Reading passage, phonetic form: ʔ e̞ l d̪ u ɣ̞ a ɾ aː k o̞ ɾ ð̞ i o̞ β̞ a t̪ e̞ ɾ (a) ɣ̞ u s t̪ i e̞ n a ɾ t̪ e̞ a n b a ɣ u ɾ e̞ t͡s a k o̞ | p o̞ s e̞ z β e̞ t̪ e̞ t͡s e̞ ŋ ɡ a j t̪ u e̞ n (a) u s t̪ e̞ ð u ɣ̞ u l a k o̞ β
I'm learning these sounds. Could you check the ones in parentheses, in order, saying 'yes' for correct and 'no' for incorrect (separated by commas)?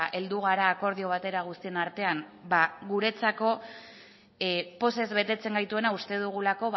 yes, yes